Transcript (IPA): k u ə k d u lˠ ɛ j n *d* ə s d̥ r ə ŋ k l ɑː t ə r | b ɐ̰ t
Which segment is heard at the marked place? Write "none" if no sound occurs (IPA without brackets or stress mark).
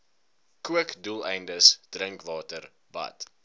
d